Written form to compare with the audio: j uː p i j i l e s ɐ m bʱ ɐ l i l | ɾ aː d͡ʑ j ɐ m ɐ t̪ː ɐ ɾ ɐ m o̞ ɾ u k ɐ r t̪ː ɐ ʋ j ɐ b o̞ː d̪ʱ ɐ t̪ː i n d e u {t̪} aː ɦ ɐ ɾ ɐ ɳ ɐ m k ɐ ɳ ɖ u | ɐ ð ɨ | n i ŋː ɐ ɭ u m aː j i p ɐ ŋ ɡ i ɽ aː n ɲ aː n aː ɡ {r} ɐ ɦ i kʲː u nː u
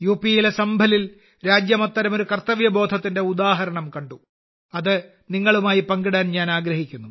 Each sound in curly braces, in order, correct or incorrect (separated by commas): incorrect, incorrect